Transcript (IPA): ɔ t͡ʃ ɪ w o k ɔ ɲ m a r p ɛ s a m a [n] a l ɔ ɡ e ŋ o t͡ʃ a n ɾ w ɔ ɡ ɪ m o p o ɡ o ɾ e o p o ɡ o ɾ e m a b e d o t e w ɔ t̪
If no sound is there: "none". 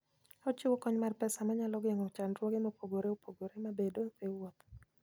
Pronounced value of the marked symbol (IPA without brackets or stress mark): ɲ